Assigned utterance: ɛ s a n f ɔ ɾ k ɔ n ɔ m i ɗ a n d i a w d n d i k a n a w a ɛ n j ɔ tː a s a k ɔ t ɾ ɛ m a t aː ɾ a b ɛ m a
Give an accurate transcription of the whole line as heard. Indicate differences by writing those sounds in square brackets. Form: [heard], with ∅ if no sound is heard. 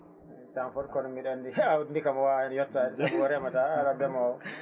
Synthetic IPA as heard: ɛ s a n f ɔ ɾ k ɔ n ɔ m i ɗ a n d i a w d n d i k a [m] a w a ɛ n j ɔ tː a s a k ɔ [∅] ɾ ɛ m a t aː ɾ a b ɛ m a